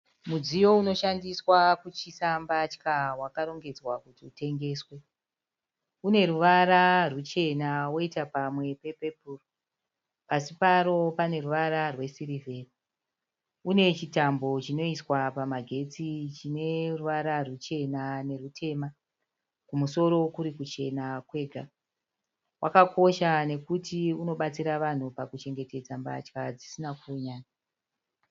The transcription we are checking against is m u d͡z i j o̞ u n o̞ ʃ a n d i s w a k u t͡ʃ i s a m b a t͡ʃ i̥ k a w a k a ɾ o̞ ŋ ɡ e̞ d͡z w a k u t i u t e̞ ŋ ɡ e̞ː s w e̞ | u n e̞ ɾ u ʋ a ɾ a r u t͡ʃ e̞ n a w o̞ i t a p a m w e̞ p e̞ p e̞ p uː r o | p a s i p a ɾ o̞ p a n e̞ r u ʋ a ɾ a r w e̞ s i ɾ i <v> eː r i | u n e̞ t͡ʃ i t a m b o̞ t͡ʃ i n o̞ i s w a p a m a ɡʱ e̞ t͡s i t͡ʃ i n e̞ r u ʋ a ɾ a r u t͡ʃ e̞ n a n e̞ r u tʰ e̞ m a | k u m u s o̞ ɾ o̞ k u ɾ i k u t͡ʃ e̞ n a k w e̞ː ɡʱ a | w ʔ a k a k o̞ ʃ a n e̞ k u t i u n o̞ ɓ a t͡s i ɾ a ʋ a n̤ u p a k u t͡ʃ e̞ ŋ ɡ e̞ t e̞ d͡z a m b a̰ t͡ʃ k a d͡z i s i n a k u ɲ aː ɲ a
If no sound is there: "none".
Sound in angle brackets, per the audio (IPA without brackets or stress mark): v